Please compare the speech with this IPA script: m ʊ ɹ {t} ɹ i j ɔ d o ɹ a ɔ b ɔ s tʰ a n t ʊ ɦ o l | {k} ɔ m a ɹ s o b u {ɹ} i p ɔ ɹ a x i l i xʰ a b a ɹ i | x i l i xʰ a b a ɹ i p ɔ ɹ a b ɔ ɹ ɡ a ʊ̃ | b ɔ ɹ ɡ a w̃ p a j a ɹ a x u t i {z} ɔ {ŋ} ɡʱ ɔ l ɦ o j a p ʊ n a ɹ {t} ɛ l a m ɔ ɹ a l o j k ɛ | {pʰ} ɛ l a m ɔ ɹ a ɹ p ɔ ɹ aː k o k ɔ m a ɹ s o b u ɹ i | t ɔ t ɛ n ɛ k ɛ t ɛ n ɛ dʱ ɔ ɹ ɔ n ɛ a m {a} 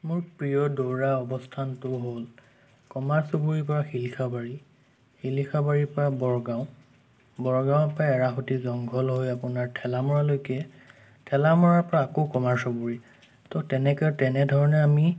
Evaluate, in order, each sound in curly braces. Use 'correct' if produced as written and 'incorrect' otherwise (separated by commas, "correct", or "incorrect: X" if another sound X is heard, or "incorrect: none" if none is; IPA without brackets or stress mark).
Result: incorrect: p, correct, correct, correct, correct, incorrect: tʰ, incorrect: tʰ, incorrect: i